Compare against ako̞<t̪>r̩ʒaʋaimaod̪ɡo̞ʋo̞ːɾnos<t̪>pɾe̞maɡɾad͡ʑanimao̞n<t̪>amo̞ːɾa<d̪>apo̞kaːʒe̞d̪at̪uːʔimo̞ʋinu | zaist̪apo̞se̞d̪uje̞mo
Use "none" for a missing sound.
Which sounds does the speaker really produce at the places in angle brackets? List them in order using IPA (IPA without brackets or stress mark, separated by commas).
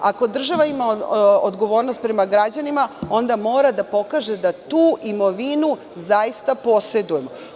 d̪, t̪, d̪, d̪